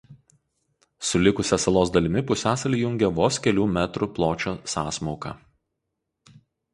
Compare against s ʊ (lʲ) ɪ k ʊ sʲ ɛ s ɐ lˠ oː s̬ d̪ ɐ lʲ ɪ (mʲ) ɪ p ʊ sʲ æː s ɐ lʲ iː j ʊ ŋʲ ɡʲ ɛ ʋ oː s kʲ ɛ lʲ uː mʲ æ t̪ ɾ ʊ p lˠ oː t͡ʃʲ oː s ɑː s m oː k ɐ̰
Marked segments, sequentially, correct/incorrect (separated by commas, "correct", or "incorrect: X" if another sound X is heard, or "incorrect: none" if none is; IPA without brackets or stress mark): correct, correct